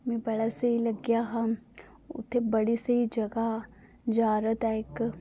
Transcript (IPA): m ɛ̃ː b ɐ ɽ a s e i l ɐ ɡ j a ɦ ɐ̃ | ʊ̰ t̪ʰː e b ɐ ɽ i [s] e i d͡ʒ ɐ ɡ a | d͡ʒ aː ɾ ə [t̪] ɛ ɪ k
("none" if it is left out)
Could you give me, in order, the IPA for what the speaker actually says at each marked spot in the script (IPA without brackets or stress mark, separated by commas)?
s, t̪